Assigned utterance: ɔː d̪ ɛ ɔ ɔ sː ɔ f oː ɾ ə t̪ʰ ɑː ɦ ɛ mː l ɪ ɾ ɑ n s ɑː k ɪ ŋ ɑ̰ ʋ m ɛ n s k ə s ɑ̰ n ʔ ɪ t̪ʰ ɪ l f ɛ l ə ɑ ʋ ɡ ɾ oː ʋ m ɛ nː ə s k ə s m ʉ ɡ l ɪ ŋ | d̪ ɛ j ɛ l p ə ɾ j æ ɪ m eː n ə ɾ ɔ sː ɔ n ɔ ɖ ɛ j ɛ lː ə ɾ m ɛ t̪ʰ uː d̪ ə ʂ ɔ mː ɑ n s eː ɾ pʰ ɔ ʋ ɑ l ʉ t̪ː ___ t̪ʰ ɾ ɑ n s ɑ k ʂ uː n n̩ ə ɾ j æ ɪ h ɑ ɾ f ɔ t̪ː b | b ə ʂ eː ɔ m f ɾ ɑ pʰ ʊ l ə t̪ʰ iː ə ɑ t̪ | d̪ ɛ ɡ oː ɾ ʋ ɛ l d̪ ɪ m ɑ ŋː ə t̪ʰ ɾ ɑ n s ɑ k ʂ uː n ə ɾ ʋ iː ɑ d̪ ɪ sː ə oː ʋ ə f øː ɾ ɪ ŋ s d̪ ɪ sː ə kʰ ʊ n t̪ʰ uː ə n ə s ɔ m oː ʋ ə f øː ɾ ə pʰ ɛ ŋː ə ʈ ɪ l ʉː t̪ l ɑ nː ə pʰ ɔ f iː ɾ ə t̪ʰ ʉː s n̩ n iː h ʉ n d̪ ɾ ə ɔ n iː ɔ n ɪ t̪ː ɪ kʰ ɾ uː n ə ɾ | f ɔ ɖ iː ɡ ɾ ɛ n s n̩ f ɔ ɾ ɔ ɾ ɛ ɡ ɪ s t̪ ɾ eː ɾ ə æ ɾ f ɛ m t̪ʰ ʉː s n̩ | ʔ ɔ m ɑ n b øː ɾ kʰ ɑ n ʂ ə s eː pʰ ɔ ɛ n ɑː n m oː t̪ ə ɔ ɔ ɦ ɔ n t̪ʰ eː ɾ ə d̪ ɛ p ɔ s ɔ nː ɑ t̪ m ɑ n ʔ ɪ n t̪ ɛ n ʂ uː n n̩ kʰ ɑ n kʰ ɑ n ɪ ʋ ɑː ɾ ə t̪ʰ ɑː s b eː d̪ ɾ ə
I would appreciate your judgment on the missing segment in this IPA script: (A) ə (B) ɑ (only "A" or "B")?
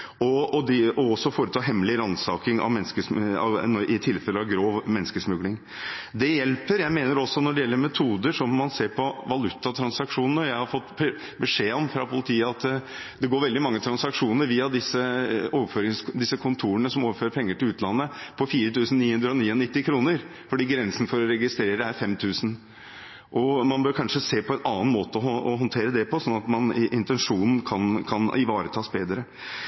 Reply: B